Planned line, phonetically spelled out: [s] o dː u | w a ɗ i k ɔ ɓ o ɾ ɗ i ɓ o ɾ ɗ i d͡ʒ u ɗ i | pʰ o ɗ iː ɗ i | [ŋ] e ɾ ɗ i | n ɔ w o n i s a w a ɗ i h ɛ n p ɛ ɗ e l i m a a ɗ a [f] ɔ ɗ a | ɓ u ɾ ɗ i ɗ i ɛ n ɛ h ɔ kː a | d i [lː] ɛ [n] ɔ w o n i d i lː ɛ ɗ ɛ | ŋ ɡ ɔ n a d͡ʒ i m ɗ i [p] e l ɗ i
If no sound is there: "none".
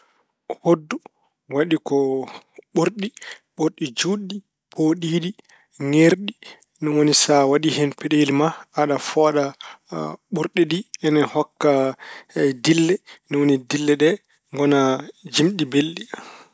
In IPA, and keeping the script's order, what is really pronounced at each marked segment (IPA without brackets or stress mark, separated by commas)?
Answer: h, ŋ, f, lː, n, b